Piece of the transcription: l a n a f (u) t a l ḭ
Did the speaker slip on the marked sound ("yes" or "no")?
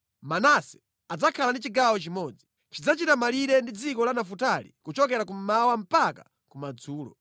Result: no